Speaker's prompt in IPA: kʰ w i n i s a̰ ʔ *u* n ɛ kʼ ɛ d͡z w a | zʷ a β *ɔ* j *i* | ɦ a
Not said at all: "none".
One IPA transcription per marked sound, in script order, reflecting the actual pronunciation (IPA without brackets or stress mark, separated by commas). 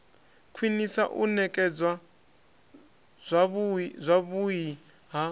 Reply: u, u, i